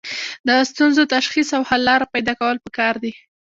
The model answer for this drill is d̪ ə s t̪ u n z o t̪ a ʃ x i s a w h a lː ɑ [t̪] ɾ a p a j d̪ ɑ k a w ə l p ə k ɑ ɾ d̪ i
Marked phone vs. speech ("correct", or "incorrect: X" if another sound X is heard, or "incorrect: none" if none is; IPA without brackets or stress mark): incorrect: none